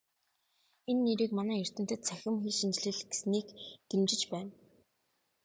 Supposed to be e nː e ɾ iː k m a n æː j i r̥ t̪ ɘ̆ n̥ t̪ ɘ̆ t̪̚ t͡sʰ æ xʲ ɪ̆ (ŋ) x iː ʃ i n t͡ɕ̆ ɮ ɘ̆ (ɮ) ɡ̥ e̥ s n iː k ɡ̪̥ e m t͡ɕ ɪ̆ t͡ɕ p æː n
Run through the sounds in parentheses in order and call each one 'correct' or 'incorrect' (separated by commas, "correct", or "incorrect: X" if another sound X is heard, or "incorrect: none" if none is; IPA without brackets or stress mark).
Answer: incorrect: m, correct